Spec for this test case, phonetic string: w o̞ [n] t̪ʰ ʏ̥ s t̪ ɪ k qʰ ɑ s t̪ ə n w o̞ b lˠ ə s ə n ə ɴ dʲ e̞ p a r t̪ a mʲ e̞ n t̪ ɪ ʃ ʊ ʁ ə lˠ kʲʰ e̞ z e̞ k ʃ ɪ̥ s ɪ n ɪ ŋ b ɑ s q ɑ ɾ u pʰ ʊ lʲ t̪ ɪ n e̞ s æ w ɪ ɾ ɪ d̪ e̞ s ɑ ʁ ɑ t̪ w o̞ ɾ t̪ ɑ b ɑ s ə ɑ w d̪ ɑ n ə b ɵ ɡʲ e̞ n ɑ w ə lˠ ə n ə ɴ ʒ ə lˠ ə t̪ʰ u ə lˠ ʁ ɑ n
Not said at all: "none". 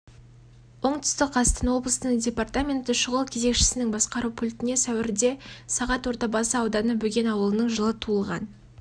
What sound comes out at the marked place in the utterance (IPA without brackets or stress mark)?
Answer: ɴ